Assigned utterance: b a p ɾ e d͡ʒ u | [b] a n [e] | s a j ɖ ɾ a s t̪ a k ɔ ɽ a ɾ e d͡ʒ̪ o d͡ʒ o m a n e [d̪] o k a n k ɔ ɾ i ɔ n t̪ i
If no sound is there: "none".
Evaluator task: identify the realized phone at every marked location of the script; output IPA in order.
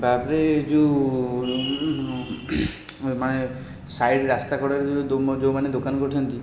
m, e, d̪

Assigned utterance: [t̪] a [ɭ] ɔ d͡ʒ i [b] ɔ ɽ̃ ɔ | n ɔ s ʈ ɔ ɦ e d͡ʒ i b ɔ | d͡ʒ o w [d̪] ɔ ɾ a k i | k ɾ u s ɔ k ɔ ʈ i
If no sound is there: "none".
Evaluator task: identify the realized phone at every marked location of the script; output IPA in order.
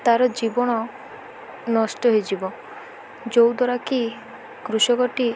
t̪, ɾ, b, d̪

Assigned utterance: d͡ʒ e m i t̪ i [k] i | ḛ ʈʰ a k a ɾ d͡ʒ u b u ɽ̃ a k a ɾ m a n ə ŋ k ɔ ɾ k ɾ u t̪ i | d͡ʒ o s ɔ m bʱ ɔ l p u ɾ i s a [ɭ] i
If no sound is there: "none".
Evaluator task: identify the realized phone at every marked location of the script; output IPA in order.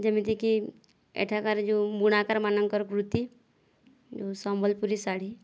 k, ɽ

